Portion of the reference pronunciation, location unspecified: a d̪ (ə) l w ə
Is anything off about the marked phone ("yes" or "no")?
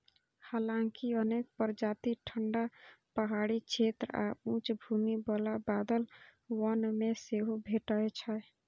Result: no